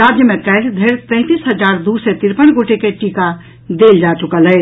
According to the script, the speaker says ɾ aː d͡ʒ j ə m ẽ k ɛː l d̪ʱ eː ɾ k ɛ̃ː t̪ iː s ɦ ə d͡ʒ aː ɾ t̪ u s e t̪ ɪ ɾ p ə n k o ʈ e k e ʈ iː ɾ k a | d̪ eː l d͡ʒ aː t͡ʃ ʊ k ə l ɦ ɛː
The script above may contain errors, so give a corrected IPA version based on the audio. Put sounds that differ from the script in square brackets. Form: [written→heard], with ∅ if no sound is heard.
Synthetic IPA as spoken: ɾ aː d͡ʒ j ə m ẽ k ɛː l d̪ʱ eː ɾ [k→p] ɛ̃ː t̪ iː s ɦ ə d͡ʒ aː ɾ [t̪→d̪] u s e t̪ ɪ ɾ p ə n [k→ɡ] o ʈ e k e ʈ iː [ɾ→∅] k a | d̪ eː l d͡ʒ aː t͡ʃ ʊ k ə l ɦ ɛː